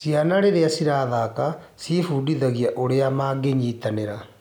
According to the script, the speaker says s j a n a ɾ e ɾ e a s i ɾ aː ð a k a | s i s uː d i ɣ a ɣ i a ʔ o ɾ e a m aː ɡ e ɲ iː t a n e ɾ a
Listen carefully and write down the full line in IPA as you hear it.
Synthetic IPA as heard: s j a n a ɾ e ɾ e a s i ɾ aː ð a k a | s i f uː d i ð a ɣ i a ʔ o ɾ e a m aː ɡ e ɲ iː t a n e ɾ a